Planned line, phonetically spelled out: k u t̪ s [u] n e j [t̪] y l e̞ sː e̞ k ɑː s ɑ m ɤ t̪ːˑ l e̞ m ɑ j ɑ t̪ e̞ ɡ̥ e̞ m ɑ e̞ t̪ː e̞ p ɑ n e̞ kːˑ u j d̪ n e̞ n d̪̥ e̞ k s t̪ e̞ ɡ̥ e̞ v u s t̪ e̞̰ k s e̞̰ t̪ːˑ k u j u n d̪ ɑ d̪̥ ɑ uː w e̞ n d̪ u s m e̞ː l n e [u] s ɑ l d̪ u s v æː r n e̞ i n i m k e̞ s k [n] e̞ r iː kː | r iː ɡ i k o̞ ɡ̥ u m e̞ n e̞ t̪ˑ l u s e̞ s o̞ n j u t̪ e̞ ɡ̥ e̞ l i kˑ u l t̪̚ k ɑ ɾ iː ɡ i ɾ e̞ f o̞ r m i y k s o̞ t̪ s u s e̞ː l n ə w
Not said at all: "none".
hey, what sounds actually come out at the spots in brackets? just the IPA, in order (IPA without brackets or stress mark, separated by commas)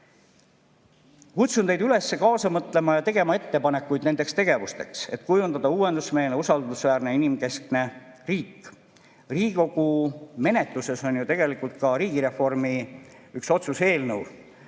u, d̪, u, n